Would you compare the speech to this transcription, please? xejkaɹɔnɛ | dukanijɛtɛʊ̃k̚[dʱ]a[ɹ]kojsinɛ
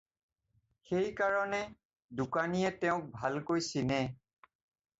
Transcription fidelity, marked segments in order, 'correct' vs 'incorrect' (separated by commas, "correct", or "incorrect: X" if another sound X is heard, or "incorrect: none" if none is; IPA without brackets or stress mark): incorrect: bʱ, incorrect: l